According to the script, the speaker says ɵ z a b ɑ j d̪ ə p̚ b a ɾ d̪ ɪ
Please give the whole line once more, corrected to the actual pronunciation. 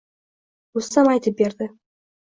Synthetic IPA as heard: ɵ s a m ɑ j t̪ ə p̚ b e ɾ d̪ ɪ